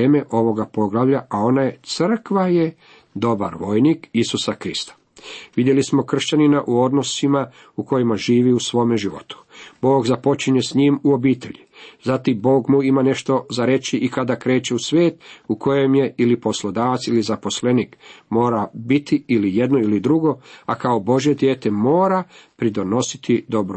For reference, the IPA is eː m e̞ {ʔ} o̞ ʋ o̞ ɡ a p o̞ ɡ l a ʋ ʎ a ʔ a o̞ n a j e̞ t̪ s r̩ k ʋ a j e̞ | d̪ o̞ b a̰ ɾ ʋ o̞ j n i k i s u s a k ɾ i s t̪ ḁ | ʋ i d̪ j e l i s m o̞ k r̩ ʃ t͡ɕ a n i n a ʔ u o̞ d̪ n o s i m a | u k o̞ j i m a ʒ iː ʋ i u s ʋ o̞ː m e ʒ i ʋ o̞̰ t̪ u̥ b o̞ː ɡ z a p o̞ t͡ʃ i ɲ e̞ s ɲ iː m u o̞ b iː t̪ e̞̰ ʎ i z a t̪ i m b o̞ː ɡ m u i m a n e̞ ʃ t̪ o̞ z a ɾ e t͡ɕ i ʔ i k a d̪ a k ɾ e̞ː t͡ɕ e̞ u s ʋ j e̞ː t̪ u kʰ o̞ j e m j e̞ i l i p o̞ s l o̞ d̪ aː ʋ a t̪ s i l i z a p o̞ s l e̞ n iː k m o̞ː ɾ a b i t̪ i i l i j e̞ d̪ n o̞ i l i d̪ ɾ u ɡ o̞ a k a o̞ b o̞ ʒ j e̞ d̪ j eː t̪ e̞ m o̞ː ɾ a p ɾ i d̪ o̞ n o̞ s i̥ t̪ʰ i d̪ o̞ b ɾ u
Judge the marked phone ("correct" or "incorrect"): correct